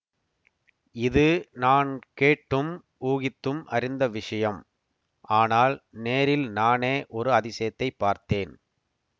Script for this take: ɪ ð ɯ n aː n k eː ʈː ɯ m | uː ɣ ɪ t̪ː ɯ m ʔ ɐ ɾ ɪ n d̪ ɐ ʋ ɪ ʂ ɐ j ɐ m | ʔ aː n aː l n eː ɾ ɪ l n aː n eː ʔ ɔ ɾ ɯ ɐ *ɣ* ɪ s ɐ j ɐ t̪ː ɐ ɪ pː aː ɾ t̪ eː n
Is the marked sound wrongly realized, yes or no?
yes